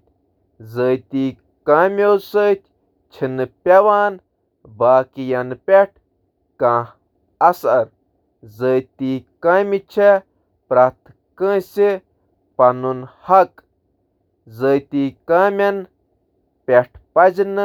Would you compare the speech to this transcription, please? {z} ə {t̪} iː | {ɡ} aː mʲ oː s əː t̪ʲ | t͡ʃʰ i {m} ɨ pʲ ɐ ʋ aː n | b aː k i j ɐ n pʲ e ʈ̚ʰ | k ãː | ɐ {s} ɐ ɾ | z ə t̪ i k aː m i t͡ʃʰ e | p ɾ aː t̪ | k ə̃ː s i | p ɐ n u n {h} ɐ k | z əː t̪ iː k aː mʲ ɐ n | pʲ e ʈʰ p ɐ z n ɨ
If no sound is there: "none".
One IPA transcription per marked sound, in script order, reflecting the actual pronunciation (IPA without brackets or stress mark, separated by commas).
z, t̪, k, n, s, h